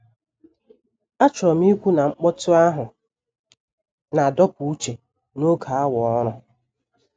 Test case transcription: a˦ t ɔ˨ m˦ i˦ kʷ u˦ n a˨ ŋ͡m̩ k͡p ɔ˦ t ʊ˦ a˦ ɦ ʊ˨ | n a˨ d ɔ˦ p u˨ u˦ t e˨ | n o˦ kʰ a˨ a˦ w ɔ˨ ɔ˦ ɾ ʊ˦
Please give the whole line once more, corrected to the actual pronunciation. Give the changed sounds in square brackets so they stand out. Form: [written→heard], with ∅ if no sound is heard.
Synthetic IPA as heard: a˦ [t→t͡ʃ] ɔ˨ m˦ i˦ kʷ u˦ n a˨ ŋ͡m̩ k͡p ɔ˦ t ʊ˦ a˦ ɦ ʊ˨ | n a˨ d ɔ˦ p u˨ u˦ [t→t͡ʃ] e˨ | n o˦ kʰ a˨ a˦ w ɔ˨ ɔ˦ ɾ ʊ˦